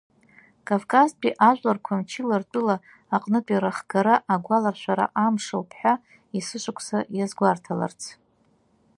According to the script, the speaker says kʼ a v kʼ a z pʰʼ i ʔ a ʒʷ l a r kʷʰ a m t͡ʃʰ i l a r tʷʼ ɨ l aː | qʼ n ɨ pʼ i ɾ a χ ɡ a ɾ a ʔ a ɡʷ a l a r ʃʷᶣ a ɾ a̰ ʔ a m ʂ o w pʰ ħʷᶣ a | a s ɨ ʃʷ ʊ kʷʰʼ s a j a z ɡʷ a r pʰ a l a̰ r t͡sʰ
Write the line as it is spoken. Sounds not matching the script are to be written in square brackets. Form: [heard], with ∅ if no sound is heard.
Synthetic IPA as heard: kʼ a v kʼ a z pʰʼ i ʔ a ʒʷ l a r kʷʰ a m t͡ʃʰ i l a r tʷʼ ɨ l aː | qʼ n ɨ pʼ i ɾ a χ ɡ a ɾ a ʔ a ɡʷ a l a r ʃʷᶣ a ɾ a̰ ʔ a m ʂ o w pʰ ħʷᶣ a | [i] s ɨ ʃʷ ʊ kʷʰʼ s a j a z ɡʷ a r [tʰ] a l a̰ r t͡sʰ